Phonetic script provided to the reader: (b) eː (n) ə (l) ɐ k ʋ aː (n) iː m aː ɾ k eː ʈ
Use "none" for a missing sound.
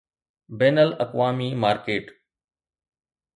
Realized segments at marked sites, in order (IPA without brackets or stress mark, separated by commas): b, n, l, m